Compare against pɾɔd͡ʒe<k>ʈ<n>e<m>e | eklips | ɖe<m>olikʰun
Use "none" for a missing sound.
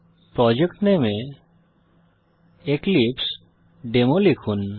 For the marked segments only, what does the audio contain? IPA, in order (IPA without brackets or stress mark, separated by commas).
k, n, m, m